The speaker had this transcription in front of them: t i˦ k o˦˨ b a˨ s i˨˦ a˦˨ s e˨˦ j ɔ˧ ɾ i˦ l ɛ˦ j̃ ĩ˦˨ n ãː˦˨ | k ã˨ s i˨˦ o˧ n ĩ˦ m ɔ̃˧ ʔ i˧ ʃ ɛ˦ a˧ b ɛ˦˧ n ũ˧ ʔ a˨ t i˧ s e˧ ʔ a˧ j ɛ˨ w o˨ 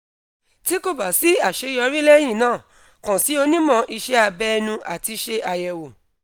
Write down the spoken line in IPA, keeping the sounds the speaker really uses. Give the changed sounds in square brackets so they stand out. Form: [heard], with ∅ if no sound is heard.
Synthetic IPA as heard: t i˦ k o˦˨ b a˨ s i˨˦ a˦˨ [ʃ] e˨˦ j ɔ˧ ɾ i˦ l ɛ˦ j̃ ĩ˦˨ n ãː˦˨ | k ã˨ s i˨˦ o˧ n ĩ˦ m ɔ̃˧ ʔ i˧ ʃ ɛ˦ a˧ b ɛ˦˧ n ũ˧ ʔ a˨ t i˧ [ʃ] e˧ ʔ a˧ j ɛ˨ w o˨